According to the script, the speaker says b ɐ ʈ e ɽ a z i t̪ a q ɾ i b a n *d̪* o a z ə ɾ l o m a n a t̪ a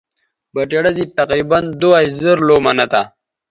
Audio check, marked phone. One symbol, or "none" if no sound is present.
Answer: d̪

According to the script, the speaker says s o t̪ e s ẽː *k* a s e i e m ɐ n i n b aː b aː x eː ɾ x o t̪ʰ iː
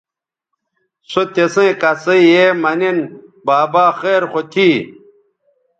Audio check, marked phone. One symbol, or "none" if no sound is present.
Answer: k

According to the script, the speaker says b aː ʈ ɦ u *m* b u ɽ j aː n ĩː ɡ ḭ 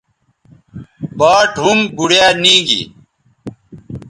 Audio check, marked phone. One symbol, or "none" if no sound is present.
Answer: m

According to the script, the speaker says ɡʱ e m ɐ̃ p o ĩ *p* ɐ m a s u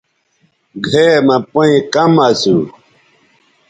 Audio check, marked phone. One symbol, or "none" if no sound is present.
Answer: k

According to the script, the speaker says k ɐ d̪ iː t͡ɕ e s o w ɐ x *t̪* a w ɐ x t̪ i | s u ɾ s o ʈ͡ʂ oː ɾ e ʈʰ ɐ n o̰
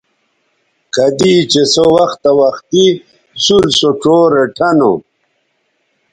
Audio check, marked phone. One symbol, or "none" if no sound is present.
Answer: t̪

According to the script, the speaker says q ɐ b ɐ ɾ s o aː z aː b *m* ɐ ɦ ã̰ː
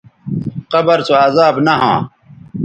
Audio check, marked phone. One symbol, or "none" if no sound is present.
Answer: n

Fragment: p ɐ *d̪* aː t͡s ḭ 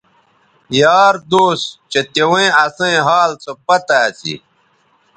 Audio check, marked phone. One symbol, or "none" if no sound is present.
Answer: t̪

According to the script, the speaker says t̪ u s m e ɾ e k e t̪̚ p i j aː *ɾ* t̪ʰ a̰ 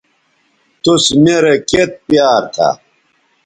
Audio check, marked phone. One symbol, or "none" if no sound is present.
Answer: ɾ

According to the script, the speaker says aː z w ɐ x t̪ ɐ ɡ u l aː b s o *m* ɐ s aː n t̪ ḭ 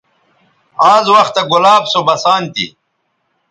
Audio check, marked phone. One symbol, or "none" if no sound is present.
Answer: b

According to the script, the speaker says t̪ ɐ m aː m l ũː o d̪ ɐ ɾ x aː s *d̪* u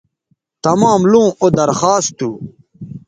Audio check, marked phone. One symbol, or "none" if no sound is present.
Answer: t̪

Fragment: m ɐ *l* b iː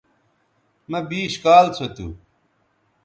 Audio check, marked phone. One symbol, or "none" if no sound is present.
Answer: none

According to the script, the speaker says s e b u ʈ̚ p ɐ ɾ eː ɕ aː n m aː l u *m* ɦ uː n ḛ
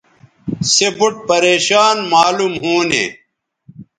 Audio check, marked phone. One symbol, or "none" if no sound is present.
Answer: m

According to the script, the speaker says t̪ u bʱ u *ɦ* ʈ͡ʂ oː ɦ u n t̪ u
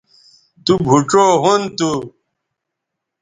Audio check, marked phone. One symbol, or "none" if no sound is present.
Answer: none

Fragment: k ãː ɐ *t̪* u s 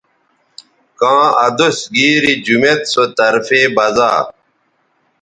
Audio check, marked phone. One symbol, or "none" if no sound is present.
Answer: d̪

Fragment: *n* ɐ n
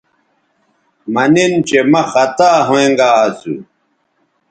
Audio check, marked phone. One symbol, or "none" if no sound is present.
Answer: m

